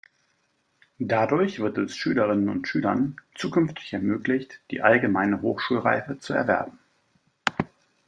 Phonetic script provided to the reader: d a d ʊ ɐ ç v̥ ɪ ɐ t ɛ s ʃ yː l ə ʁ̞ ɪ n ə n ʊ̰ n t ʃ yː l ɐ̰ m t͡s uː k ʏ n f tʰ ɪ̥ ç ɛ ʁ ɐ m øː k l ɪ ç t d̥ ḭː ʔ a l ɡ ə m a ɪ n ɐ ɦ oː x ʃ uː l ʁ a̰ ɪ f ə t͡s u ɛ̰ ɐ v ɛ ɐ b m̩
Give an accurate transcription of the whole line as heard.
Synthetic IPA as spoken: d a d ʊ ɐ ç v̥ ɪ ɐ t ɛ s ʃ yː l ə ʁ̞ ɪ n ə n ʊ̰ n t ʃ yː l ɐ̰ n t͡s uː k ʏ n f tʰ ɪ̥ ç ɛ ɐ m øː k l ɪ ç t d̥ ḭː ʔ a l ɡ ə m a ɪ n ə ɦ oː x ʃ uː l ʁ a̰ ɪ f ə t͡s u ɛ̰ ɐ v ɛ ɐ b m̩